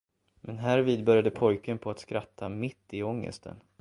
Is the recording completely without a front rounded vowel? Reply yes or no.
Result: no